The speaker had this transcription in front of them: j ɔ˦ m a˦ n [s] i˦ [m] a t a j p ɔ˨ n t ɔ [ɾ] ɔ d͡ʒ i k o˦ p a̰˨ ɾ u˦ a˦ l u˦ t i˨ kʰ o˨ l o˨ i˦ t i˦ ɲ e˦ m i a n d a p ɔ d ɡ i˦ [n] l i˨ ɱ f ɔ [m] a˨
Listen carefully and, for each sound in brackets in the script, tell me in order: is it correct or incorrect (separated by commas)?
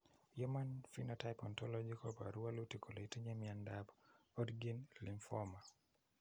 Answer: incorrect, incorrect, incorrect, correct, correct